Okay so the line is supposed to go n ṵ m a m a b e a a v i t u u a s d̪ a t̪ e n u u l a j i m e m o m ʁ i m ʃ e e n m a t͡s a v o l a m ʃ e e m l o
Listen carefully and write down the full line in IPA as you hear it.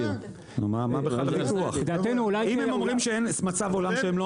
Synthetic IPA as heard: n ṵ m a m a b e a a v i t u u a χ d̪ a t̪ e n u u l a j i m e m o m ʁ i m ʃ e e n m a t͡s a v o l a m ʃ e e m l o